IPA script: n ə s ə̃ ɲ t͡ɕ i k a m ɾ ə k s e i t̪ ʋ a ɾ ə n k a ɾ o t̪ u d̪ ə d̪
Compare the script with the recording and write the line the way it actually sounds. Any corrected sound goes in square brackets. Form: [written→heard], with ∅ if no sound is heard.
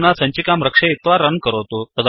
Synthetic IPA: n [ə→a] s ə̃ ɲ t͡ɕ i k a m ɾ ə k [s→ʂ] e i t̪ ʋ a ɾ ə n k [a→ə] ɾ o t̪ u [d̪→t̪] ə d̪